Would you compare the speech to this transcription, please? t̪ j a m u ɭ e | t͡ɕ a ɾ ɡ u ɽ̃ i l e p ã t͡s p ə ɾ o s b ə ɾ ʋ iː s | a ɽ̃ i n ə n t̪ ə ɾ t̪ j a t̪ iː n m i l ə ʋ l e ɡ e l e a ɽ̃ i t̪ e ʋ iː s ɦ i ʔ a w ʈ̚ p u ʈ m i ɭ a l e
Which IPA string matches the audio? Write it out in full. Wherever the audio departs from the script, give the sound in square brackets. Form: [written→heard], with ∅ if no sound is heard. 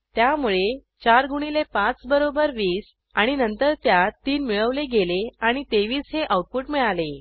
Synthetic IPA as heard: t̪ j a m u ɭ e | t͡ɕ a ɾ ɡ u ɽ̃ i l e p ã t͡s [p→b] ə ɾ o [s→∅] b ə ɾ ʋ iː s | a ɽ̃ i n ə n t̪ ə ɾ t̪ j a t̪ iː n m i [l→ɭ] ə ʋ l e ɡ e l e a ɽ̃ i t̪ e ʋ iː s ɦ [i→e] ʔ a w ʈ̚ p u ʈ m i ɭ a l e